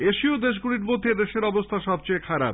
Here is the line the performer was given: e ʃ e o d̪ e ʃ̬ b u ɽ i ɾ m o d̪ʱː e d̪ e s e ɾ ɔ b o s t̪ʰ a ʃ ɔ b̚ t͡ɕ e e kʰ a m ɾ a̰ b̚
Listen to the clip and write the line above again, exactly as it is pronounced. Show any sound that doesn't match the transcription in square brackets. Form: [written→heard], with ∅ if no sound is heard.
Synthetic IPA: e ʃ [e→i] o d̪ e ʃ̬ [b→ɡ] u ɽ i ɾ m o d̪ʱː e d̪ e [s→ʃ] e ɾ ɔ b o s t̪ʰ a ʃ ɔ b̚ t͡ɕ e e kʰ a [m→∅] ɾ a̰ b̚